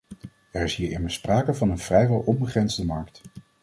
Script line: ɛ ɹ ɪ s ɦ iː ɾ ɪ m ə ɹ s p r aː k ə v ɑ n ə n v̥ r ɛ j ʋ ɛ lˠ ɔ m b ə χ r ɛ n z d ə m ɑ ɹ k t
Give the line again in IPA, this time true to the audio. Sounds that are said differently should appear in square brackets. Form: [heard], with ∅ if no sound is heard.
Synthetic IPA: ɛ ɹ ɪ s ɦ iː [ɹ] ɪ m ə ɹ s p r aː k ə v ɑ n ə n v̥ r ɛ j ʋ ɛ lˠ ɔ m b ə χ r ɛ n z d ə m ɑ ɹ k t